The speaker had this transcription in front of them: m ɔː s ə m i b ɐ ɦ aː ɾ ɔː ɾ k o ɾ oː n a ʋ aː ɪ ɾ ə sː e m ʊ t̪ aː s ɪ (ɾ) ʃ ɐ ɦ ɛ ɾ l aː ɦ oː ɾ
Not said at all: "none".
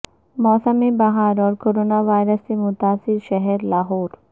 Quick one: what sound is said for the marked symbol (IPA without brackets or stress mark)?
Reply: ɾ